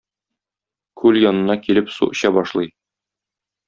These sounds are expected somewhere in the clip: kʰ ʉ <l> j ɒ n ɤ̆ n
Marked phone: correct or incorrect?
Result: correct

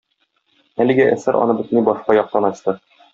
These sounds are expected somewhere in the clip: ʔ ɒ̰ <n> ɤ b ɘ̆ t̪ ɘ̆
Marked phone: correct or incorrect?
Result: correct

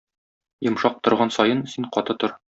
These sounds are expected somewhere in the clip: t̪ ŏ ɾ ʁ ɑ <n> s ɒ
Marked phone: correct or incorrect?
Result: correct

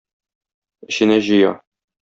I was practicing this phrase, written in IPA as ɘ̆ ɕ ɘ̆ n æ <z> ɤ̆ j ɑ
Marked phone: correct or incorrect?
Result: incorrect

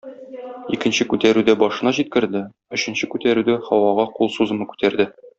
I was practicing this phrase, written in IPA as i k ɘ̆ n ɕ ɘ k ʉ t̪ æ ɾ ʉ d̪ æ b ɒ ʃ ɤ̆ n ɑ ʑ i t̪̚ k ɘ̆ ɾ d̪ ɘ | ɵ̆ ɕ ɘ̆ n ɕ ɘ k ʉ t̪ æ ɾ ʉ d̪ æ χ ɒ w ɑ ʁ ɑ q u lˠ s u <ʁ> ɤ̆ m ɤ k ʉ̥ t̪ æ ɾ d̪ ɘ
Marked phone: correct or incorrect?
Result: incorrect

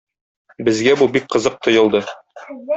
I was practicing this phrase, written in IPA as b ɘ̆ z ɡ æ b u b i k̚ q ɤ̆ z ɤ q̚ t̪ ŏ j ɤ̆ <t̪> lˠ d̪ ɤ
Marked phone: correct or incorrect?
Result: incorrect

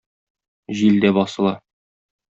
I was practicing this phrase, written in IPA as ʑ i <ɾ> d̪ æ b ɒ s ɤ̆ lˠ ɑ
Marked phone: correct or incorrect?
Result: incorrect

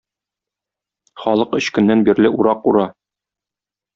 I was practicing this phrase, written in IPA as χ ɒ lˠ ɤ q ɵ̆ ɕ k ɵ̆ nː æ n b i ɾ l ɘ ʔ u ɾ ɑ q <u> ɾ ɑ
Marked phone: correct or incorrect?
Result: correct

